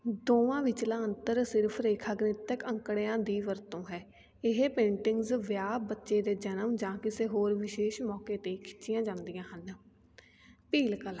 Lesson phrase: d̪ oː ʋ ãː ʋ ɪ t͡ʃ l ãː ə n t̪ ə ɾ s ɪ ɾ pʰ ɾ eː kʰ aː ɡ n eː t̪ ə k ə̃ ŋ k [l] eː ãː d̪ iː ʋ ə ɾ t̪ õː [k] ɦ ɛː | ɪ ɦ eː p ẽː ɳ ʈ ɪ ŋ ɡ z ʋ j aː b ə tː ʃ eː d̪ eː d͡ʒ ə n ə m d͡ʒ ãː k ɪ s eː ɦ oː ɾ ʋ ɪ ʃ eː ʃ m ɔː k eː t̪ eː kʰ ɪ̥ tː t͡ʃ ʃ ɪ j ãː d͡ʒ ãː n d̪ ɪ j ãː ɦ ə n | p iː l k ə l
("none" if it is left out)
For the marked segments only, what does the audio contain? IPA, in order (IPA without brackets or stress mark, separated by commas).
ɽ, none